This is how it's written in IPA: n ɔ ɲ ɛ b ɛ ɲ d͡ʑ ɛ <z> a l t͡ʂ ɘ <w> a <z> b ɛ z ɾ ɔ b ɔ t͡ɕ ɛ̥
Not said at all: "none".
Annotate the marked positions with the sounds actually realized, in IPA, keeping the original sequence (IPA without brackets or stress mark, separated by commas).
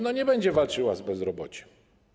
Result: v, w, z